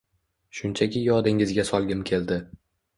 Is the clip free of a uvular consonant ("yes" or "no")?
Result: yes